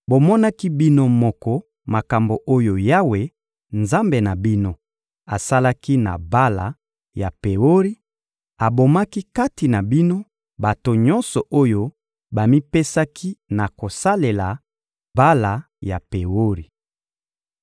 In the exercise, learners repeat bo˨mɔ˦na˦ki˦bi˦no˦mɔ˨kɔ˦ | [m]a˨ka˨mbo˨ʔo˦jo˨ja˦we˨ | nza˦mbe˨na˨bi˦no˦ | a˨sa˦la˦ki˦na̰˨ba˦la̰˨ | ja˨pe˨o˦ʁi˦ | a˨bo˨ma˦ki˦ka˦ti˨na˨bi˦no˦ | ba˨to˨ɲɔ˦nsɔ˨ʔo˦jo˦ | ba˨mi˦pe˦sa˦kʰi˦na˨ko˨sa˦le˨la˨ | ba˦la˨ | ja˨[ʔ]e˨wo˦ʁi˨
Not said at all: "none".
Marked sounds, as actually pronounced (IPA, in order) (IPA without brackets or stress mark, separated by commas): m, p